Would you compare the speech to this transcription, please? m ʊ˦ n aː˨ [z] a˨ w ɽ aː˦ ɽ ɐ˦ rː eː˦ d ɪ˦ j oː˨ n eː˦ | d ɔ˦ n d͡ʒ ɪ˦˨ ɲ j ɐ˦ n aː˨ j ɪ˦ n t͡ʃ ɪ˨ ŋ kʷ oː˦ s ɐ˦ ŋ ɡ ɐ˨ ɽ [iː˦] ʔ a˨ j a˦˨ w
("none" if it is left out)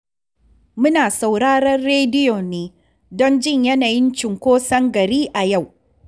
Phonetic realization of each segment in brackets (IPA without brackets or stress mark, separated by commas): s, iː˦